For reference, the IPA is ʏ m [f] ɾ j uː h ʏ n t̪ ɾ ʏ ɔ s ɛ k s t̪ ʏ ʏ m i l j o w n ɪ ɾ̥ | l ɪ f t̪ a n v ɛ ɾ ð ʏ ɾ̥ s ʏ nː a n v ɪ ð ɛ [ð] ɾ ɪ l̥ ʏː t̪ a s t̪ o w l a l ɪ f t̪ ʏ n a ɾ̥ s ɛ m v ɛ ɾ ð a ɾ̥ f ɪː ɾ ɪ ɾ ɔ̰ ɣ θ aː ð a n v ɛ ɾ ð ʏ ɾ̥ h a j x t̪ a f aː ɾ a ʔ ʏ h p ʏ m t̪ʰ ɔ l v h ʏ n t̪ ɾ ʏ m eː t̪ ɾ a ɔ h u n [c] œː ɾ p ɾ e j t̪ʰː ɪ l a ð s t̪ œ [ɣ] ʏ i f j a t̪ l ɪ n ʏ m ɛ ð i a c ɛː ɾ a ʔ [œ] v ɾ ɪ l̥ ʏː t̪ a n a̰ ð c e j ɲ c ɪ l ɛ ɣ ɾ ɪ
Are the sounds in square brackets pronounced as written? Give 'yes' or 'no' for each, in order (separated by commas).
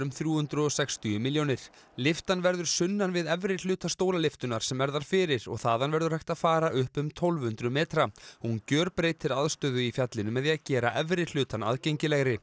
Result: no, no, yes, no, no